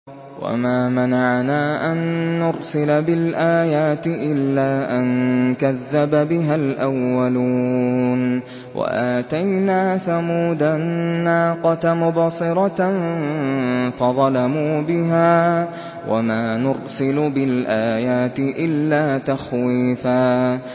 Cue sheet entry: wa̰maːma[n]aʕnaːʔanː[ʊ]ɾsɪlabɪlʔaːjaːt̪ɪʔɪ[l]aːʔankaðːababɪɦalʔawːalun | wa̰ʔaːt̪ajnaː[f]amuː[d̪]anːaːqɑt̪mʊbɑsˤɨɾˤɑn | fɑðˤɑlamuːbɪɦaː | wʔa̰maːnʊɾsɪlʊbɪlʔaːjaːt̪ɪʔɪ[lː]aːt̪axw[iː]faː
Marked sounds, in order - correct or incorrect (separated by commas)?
correct, correct, incorrect, incorrect, correct, correct, correct